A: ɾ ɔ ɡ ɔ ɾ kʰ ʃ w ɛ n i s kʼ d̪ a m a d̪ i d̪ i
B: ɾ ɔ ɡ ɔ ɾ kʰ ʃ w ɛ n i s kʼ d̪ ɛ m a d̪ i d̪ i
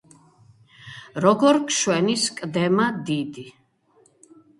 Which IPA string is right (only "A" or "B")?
B